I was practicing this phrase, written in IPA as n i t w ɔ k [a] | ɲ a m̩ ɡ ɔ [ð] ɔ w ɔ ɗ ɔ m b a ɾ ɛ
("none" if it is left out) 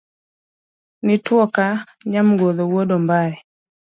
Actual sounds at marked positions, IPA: a, ð

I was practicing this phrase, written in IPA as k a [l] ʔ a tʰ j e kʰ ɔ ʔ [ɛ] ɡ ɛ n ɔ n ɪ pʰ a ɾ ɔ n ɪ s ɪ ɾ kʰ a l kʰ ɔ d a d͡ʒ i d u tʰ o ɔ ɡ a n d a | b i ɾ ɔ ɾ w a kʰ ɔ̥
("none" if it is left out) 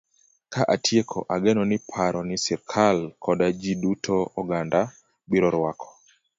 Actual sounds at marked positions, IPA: none, a

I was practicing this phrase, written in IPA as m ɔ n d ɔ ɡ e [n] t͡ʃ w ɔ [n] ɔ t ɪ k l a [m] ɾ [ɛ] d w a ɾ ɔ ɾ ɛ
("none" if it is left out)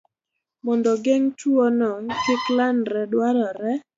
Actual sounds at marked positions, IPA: ŋ, n, n, ɛ

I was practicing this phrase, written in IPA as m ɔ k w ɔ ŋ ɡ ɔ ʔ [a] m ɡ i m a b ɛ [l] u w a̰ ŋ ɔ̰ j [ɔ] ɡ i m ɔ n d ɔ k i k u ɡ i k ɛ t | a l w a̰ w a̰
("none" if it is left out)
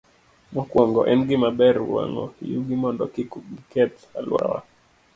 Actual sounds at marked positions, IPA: ɛ, ɾ, u

